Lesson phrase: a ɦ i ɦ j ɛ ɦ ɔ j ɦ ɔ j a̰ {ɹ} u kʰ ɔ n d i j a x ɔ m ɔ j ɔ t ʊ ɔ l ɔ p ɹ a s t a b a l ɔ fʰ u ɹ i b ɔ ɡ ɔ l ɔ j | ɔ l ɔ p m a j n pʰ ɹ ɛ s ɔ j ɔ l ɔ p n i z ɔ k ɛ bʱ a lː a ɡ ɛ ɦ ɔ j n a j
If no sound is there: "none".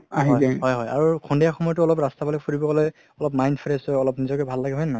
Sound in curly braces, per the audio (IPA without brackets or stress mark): ɹ